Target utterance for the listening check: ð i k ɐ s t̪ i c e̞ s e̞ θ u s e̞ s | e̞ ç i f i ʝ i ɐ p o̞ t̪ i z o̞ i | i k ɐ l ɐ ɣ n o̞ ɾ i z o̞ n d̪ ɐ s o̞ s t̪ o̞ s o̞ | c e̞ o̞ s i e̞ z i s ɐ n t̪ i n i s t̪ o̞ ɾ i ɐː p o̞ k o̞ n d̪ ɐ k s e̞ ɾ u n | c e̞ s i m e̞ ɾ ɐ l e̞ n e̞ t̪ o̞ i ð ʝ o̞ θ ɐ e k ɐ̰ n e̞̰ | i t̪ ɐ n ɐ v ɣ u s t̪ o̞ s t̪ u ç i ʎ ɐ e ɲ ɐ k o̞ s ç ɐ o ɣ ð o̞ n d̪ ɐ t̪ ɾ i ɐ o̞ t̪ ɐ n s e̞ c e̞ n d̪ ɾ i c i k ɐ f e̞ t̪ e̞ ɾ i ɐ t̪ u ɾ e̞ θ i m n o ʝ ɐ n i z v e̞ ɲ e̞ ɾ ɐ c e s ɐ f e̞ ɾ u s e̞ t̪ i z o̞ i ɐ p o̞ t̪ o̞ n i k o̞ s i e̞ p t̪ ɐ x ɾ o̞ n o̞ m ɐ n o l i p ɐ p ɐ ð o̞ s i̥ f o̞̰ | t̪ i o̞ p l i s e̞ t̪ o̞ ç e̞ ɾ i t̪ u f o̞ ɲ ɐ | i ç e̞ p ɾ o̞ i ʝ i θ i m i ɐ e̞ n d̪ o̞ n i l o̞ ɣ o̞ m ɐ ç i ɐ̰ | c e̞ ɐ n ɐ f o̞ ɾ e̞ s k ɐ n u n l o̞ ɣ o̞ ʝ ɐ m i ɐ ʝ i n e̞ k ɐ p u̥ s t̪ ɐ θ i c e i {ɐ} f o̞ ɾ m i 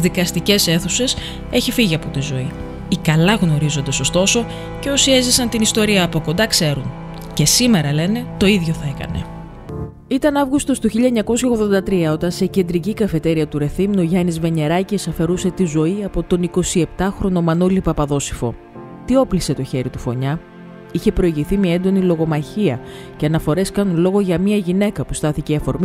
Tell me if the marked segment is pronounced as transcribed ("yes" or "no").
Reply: yes